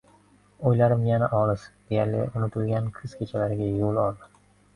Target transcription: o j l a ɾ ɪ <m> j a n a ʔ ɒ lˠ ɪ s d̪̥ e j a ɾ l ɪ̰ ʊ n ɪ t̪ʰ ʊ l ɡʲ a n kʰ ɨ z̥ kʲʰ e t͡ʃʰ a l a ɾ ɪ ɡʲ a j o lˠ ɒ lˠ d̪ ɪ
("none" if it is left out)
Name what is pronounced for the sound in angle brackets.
m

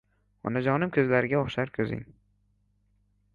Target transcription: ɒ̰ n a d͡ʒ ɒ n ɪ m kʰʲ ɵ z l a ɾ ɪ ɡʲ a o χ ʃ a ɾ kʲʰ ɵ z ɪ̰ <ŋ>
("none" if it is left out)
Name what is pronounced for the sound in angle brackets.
ŋ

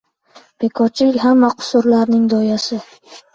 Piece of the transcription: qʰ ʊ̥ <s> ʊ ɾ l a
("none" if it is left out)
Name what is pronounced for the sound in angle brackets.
s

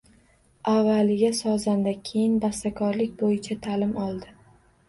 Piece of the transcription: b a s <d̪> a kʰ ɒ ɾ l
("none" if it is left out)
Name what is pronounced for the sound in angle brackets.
t̪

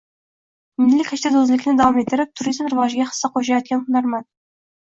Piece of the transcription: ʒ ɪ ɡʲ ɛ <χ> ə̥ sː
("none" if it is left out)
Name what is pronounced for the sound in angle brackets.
χ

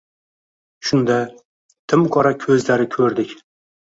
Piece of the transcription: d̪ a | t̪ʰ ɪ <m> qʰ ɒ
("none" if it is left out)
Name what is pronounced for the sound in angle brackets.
m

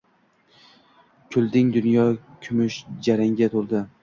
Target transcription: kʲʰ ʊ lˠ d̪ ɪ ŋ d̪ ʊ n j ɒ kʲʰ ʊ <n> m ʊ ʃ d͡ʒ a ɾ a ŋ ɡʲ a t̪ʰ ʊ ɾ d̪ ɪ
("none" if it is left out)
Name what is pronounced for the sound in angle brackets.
none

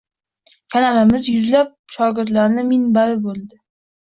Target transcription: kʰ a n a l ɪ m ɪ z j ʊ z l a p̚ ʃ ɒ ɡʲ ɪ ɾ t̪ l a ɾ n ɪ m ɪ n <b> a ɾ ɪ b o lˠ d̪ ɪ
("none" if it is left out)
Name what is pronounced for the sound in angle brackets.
b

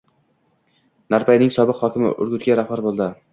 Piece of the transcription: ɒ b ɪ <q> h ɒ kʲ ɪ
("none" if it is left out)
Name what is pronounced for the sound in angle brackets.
q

